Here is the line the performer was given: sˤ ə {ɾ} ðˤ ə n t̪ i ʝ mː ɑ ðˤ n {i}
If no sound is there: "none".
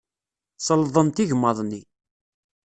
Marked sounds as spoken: l, i

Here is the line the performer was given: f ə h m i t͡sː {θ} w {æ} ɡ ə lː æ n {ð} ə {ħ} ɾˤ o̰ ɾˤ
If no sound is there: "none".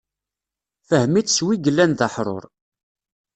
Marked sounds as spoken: s, i, ð, ħ

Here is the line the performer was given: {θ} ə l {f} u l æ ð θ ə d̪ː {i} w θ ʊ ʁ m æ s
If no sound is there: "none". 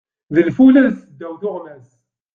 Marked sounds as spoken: ð, f, æ

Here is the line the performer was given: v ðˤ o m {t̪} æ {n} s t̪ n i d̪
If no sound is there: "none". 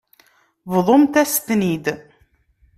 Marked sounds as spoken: t̪, none

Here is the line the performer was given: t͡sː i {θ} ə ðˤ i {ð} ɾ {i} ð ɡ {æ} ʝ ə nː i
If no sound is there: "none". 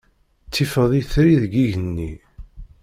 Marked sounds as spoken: f, θ, i, i

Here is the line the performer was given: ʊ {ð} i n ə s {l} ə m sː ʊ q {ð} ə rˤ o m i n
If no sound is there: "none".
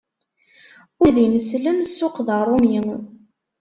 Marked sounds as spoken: ð, l, ð

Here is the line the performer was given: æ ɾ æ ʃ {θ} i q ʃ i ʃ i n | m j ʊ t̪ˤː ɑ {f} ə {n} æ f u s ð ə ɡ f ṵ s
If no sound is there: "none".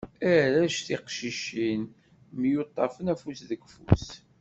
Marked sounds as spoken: θ, f, n

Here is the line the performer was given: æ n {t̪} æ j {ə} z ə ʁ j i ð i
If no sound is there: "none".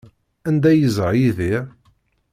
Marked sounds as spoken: d̪, ə

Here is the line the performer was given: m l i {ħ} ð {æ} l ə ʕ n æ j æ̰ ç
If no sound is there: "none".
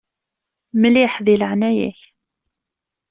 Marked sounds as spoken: ħ, i

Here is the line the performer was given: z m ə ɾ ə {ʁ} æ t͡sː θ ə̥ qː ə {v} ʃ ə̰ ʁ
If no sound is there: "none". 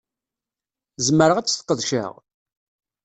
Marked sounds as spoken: ʁ, ð

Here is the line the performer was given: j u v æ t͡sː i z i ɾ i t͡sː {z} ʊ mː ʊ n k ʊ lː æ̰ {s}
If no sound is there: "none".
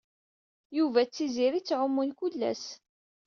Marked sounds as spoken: ʕ, s

